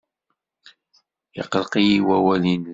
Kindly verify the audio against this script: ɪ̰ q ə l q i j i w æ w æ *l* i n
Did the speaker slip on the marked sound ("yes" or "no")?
no